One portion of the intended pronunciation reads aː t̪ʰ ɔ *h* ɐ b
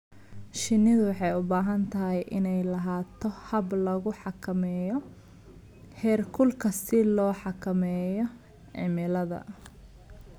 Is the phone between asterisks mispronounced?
no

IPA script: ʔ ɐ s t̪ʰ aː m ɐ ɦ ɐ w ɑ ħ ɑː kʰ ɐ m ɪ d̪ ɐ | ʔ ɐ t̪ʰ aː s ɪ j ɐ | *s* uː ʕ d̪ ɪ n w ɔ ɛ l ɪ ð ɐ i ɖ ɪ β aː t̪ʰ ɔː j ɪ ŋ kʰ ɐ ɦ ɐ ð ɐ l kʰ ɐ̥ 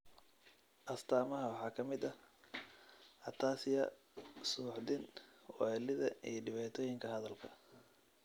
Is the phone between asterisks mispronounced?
no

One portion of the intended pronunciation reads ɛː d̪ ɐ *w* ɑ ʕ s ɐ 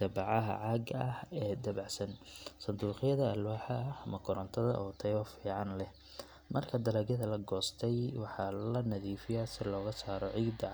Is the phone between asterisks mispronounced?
yes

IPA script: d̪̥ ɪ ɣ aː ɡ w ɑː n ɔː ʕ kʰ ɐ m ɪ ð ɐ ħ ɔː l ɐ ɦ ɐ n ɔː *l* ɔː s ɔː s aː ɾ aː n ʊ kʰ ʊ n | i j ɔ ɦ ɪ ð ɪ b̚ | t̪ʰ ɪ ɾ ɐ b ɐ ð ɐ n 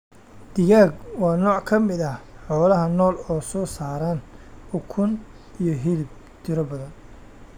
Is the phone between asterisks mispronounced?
no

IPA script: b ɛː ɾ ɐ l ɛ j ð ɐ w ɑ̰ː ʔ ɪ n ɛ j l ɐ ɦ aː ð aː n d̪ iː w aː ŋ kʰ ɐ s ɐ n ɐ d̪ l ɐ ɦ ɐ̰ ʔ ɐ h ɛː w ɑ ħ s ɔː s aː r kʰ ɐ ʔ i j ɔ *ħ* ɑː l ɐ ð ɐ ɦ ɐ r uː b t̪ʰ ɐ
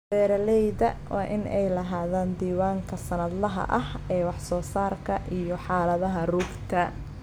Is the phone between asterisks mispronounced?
no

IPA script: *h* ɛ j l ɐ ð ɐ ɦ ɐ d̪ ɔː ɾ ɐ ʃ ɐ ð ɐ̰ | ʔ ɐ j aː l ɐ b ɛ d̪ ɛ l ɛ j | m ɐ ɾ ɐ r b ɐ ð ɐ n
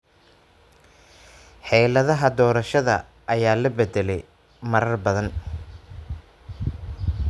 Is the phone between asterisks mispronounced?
yes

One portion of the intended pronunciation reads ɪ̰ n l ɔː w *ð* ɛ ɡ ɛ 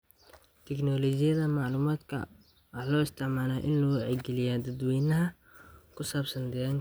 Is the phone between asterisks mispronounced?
yes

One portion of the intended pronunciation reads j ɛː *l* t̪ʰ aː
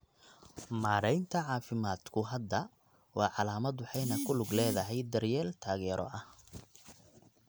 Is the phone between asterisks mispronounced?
no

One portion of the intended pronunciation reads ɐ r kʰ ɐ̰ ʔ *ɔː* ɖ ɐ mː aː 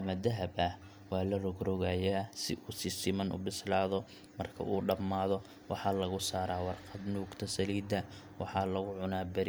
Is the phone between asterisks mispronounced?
yes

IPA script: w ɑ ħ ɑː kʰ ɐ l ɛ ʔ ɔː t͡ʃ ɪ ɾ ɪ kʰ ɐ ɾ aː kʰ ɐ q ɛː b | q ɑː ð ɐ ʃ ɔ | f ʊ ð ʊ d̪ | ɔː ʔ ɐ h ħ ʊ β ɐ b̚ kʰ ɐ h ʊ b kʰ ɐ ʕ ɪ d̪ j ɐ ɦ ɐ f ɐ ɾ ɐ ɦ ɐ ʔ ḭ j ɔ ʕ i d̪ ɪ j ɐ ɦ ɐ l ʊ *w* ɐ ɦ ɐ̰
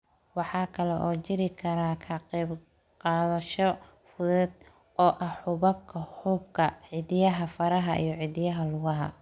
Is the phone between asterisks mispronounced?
yes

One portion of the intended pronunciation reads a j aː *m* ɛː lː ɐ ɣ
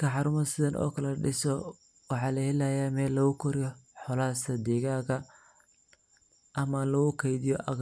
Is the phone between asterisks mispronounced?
no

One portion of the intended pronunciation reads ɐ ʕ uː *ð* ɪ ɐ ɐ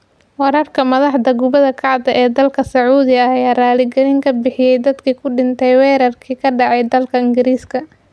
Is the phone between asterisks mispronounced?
no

